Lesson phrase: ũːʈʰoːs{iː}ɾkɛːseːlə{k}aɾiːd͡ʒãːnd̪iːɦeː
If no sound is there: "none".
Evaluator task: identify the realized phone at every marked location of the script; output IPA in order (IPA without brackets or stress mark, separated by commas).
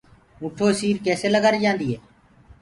iː, ɡ